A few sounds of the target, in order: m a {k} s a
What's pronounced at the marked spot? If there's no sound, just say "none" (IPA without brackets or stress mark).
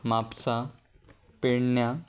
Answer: p